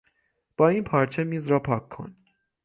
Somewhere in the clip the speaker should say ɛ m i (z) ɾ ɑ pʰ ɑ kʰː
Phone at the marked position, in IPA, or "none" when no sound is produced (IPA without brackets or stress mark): z